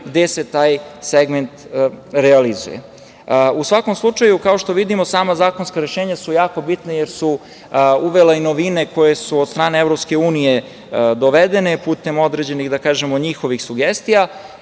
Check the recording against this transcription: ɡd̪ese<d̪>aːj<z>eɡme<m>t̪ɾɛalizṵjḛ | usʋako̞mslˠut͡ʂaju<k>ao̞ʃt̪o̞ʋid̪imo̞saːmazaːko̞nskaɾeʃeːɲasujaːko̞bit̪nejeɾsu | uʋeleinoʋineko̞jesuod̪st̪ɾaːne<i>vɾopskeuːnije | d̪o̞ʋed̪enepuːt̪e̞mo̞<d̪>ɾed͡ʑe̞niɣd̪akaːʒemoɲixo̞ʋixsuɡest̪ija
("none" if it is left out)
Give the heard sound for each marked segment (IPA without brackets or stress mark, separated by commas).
t̪, s, n, k, e, d̪